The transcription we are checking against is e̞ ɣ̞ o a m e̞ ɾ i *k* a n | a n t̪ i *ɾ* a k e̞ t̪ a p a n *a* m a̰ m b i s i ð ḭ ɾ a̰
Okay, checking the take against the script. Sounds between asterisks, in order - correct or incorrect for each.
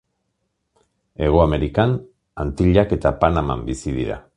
correct, incorrect, correct

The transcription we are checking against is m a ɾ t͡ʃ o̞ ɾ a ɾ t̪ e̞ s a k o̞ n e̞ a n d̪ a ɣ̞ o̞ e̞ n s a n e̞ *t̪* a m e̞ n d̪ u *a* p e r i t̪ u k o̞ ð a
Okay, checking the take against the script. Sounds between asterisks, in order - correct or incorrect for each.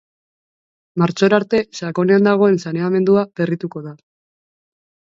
incorrect, correct

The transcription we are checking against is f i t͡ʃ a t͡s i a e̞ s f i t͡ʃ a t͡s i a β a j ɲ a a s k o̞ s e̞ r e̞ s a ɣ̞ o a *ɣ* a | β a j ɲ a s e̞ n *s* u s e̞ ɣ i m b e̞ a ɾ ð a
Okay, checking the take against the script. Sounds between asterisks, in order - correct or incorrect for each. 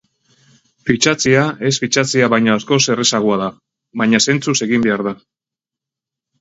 incorrect, incorrect

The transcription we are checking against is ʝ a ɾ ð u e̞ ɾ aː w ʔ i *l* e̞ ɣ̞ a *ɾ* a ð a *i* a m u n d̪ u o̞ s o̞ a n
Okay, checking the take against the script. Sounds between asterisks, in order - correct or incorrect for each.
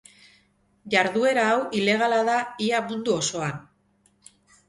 correct, incorrect, correct

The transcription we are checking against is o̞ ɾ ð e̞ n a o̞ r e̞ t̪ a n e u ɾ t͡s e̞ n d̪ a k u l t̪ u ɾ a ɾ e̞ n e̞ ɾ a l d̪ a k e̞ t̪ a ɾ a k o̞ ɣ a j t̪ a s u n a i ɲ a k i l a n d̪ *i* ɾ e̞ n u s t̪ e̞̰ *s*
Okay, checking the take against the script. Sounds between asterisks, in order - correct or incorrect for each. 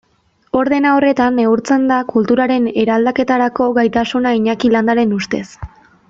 incorrect, correct

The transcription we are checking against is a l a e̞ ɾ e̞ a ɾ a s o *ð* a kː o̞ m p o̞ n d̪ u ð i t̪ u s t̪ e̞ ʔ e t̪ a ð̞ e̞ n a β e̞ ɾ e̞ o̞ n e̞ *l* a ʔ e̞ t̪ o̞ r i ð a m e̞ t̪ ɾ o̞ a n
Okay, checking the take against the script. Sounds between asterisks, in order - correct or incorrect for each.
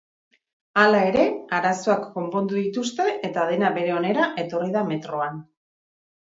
incorrect, incorrect

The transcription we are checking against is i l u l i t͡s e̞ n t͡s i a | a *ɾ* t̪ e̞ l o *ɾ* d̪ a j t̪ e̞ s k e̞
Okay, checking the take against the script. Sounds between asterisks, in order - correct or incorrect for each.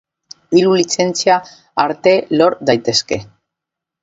correct, correct

